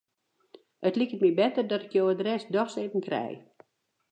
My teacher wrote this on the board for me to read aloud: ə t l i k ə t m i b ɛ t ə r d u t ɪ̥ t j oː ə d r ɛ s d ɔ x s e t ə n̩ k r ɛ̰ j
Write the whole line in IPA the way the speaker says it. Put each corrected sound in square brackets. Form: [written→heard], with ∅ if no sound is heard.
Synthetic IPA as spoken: ə t l i k ə t m i b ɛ t ə r d [u→ɔ] t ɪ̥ [t→k] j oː ə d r ɛ s d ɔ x s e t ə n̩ k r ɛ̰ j